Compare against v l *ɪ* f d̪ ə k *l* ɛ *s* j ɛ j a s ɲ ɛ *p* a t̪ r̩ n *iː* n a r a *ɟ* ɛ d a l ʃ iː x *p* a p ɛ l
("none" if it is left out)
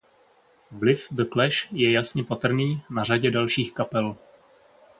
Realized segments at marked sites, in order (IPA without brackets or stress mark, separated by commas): ɪ, l, ʃ, p, iː, ɟ, k